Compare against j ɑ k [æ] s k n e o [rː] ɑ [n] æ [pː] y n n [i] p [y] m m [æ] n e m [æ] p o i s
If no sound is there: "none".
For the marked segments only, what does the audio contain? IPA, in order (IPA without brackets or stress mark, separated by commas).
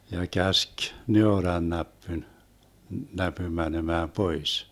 æ, r, nː, pː, æ, y, æ, æː